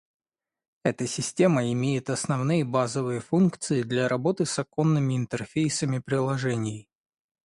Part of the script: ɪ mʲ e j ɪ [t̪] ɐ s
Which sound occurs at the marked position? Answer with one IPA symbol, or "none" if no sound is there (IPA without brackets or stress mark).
t̪